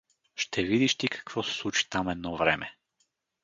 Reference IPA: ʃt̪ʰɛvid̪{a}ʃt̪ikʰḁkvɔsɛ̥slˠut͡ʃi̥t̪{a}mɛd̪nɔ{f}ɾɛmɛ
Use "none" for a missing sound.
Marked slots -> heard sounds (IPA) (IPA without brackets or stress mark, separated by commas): i, a, v